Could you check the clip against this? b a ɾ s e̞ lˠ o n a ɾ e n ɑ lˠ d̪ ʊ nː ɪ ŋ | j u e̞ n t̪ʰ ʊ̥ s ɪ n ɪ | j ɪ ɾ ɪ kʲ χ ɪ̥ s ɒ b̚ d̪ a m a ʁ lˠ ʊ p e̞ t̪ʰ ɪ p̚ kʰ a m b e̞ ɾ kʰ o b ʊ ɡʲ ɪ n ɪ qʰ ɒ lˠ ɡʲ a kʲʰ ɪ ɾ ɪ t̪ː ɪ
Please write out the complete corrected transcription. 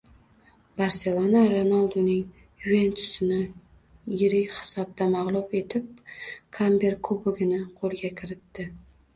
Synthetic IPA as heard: b a ɾ s e̞ lˠ o n a ɾ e n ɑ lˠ d̪ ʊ n ɪ ŋ | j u e̞ n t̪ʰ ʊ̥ s ɪ n ɪ | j ɪ ɾ ɪ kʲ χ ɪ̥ s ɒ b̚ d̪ a m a ʁ lˠ ʊ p e̞ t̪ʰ ɪ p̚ kʰ a m b e̞ ɾ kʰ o b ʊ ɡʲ ɪ n ɪ qʰ o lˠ ɡʲ a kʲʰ ɪ ɾ ɪ t̪ː ɪ